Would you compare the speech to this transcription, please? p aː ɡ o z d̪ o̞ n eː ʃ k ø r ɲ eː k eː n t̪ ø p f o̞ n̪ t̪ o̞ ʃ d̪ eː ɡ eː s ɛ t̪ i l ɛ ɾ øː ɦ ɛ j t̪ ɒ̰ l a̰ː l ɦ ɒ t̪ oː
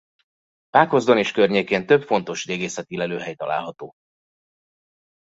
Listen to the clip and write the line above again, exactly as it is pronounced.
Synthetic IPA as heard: p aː k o z d̪ o̞ n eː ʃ k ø r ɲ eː k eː n t̪ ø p f o̞ n̪ t̪ o̞ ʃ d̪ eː ɡ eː s ɛ t̪ i l ɛ l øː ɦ ɛ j t̪ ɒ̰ l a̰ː l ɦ ɒ t̪ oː